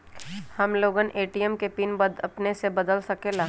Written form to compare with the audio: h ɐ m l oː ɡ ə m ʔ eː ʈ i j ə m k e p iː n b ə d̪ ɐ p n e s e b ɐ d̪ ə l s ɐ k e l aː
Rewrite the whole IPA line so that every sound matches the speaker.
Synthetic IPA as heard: h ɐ m l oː ɡ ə n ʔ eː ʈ i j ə m k e p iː n b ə d̪ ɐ p n e s e b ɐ d̪ ə l s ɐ k e l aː